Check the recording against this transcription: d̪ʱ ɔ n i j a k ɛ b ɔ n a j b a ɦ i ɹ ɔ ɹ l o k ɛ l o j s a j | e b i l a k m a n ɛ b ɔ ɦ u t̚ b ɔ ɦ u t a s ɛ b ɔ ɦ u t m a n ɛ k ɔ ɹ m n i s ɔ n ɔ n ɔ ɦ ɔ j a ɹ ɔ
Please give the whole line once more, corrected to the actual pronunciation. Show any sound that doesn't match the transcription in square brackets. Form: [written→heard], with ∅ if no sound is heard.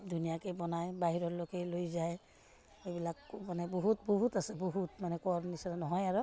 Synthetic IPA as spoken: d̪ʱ [ɔ→u] n i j a k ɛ b ɔ n a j b a ɦ i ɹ ɔ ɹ l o k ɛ l o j [s→z] a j | e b i l a k m a n ɛ b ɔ ɦ u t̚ b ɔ ɦ u t a s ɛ b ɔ ɦ u t m a n ɛ k ɔ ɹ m n i s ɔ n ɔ n ɔ ɦ ɔ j a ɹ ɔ